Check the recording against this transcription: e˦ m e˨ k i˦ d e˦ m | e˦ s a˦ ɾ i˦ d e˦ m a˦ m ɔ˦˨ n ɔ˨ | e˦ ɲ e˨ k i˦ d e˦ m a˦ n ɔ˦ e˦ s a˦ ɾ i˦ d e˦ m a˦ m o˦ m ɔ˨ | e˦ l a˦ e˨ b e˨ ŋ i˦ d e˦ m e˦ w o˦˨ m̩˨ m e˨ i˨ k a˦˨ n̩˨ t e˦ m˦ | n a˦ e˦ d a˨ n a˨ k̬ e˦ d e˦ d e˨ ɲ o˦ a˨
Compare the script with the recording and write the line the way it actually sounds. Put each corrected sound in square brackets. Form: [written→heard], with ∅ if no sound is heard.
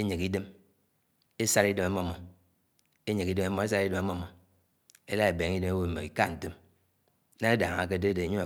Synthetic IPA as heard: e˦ [m→ɲ] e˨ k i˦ d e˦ m | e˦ s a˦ ɾ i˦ d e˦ m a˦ m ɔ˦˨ [n→m] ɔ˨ | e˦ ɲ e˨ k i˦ d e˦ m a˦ [n→m] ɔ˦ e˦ s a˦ ɾ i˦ d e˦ m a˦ m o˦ m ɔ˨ | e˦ l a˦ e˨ b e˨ ŋ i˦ d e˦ m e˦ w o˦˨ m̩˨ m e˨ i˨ k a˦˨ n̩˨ t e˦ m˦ | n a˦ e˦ d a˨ [n→ŋ] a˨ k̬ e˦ d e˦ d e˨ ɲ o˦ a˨